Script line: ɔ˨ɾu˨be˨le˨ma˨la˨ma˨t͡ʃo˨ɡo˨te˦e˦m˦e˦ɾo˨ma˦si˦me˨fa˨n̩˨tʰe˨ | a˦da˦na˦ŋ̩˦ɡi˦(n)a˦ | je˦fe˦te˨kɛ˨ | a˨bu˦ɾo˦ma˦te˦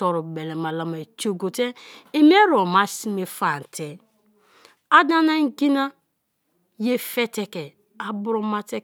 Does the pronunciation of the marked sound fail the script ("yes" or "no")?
no